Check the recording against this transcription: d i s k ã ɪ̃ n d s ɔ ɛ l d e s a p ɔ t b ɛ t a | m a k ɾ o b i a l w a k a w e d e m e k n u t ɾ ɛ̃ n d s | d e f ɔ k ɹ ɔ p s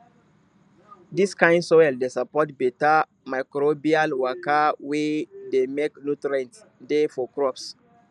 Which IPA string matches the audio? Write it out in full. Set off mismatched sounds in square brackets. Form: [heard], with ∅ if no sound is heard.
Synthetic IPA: d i s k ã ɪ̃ n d s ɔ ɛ l d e s a p ɔ t b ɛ t a | m a k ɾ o b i a l w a k a w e d e m e k n u t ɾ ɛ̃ n [t] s | d e f ɔ k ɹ ɔ p s